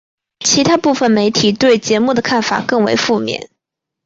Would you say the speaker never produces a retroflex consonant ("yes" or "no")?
yes